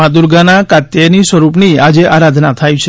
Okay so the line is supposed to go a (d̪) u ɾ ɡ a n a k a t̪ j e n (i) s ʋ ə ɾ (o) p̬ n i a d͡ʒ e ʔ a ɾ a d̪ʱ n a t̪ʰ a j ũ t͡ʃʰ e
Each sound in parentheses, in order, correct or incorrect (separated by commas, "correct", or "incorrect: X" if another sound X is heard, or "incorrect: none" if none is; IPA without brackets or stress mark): correct, correct, incorrect: u